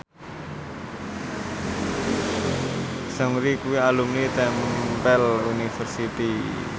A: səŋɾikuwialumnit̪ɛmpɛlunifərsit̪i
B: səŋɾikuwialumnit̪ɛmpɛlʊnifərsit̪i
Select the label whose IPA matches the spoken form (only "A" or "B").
A